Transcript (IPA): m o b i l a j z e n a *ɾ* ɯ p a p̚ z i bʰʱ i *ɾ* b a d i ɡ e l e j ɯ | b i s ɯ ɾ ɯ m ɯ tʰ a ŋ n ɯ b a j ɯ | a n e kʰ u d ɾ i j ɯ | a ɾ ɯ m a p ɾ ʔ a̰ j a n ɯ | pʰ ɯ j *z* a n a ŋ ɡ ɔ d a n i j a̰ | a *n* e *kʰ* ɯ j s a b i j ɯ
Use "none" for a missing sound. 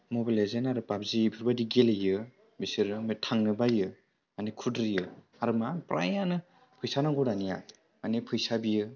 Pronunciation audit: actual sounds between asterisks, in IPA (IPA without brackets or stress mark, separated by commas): ɾ, ɾ, s, n, pʰ